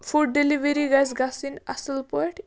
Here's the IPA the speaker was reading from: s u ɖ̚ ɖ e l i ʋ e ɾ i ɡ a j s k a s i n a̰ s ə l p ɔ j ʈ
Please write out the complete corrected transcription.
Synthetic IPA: f u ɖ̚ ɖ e l i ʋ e ɾ i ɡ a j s ɡ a s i n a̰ s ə l p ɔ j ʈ